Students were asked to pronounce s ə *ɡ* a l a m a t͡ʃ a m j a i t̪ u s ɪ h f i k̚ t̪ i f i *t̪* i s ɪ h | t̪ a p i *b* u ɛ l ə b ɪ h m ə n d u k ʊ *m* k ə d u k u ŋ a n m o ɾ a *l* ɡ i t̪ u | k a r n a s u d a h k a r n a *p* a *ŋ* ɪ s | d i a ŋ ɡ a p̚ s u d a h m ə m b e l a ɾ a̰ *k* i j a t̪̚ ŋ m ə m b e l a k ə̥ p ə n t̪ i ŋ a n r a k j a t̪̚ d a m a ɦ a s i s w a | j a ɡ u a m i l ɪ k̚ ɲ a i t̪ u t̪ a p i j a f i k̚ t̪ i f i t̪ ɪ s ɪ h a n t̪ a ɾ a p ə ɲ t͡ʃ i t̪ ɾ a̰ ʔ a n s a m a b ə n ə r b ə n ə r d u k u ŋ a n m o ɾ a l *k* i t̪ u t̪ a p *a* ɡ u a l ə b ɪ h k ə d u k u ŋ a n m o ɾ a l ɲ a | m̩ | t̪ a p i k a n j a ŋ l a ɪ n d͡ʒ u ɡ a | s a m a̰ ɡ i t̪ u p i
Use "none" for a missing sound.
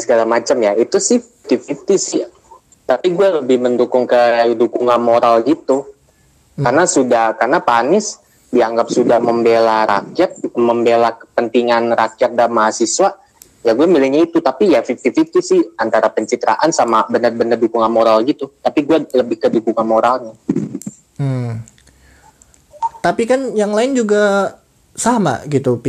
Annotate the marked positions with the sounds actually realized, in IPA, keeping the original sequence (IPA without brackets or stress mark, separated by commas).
ɡ, t̪, ɡ, ŋ, l, p, n, k, ɡ, i